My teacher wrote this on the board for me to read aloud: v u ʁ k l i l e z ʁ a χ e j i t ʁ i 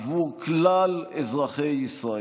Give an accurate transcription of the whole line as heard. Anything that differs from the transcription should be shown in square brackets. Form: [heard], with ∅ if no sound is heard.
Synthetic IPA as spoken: v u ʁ k l [a] l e z ʁ a χ e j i [s] ʁ [a]